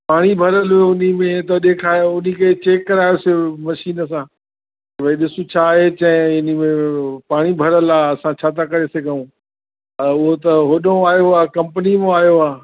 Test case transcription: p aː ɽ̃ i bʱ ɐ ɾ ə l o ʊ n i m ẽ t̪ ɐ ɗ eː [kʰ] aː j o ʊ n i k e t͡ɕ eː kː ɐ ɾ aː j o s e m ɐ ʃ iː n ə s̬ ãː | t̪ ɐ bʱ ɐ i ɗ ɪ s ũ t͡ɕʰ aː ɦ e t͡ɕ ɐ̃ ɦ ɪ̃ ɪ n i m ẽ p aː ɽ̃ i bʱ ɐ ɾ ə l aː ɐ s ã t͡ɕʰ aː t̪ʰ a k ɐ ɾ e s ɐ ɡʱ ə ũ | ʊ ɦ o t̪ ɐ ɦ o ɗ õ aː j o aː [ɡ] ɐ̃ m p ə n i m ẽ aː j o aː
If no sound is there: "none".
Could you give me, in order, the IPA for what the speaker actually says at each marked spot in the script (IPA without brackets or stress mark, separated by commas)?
kʰ, k